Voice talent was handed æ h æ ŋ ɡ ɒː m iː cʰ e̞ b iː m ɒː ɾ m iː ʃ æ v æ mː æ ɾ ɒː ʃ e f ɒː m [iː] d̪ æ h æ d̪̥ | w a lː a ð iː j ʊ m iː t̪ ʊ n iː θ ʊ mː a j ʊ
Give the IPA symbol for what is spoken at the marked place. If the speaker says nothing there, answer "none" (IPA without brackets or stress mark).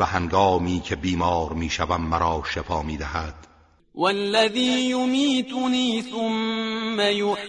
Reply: iː